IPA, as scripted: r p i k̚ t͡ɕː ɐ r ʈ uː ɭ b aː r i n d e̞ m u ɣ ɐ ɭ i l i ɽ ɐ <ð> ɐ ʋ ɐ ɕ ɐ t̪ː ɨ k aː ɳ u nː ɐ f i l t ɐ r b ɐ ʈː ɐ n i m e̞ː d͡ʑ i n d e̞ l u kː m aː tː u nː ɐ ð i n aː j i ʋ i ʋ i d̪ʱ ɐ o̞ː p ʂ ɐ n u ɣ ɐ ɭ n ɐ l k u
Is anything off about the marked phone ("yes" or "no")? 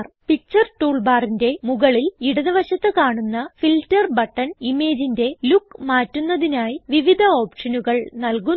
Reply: no